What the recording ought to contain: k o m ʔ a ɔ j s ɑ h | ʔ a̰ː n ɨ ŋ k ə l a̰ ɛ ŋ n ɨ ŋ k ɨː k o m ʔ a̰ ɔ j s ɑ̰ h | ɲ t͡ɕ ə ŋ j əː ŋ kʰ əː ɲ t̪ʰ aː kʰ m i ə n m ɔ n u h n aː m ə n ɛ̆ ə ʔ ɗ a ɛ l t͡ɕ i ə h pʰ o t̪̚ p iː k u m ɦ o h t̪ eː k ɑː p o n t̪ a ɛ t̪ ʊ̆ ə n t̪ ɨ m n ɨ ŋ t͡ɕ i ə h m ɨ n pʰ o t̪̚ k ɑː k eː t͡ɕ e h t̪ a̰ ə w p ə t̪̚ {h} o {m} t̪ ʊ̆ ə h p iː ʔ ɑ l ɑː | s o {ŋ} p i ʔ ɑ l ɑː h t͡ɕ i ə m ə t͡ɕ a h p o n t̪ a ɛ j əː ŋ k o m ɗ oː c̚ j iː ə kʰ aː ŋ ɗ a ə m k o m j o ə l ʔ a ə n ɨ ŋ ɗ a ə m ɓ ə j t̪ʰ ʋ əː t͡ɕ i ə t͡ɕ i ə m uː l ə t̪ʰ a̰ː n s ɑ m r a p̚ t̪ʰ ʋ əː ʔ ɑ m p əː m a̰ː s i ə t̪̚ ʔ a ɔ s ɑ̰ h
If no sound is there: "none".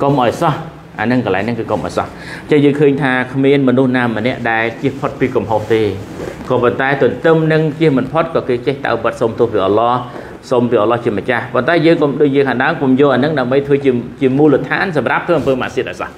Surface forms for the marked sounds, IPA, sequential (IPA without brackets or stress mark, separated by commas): s, m, m